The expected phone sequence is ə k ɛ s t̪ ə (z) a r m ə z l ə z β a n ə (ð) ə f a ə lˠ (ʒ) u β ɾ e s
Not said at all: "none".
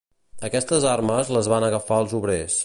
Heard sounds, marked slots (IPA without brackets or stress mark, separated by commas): z, ɣ, z